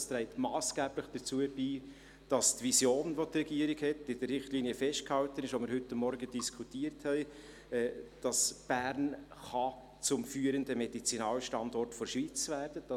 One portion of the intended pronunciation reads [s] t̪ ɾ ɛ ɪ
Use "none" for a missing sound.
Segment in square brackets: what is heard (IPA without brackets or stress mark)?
s